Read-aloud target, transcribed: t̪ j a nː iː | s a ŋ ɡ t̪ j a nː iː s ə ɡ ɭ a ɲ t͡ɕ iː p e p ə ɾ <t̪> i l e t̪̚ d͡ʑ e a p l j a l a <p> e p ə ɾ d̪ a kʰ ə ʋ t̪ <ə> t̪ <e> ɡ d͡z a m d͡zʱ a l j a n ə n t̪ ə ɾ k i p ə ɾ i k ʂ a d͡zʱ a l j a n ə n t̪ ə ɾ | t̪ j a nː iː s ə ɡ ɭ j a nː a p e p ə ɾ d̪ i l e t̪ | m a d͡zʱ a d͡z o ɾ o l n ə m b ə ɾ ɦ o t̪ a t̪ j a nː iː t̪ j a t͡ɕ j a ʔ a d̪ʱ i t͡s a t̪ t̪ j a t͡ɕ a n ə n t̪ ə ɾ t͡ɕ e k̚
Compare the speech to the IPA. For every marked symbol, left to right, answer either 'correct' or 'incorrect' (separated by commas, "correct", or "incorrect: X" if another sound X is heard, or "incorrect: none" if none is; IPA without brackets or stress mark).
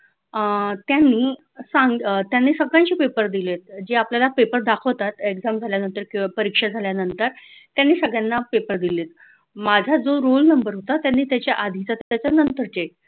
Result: incorrect: d̪, correct, incorrect: a, correct